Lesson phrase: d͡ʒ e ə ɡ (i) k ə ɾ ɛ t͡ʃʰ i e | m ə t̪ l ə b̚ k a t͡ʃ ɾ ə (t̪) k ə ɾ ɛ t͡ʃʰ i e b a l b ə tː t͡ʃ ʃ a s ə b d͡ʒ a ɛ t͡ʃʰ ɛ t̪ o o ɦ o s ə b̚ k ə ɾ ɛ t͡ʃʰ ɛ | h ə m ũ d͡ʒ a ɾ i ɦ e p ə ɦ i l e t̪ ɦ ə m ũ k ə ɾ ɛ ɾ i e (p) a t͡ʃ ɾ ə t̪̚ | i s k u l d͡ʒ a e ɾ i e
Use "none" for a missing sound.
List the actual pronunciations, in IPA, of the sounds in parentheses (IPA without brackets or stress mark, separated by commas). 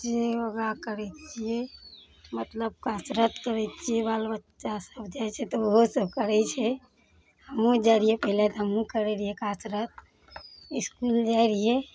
a, t̪, k